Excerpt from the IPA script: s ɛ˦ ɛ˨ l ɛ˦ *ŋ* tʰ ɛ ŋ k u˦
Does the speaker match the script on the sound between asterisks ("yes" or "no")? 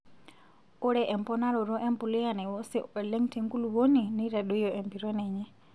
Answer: yes